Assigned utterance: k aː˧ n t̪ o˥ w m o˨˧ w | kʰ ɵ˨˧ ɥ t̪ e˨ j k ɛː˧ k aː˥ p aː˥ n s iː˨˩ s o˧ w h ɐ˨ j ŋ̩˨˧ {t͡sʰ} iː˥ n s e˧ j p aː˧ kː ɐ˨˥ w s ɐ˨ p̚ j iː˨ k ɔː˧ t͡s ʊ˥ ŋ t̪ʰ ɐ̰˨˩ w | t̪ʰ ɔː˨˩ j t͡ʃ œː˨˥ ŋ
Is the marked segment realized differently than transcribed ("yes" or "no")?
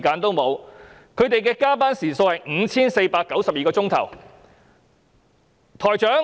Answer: no